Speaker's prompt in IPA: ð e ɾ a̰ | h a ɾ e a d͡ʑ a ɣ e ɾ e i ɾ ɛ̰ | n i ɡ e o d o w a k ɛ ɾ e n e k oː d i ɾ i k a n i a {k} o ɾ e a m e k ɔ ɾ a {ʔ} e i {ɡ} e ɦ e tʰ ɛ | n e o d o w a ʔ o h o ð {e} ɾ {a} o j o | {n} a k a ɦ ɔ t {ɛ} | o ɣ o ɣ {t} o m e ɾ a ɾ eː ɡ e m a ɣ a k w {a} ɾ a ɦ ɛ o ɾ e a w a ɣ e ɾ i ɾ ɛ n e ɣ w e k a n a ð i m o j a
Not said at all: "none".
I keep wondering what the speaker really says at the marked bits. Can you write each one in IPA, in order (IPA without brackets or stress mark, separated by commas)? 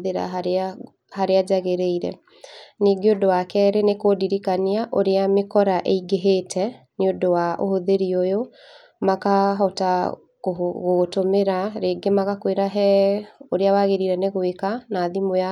ʔ, ʔ, ɡ, e, i, m, a, t, e